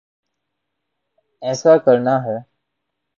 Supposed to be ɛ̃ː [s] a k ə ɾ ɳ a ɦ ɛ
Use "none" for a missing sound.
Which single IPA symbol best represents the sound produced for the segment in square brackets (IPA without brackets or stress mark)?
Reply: s